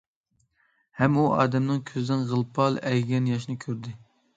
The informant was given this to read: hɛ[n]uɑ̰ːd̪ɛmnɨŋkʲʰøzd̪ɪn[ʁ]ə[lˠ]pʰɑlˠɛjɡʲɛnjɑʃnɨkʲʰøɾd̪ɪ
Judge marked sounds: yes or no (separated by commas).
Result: no, yes, yes